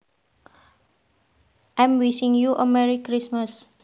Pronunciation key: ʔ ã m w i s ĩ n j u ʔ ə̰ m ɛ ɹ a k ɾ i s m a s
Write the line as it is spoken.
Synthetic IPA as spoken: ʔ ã m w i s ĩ ŋ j u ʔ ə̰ m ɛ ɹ i k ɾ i s m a s